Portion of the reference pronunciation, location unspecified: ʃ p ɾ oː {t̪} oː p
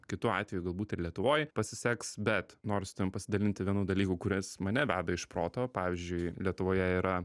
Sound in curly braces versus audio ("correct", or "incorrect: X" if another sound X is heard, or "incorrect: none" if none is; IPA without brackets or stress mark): correct